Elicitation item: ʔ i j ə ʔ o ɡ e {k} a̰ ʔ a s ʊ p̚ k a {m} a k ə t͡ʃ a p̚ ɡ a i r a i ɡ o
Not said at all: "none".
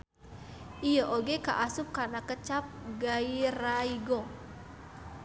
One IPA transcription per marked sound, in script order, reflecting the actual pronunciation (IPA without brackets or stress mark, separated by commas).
k, n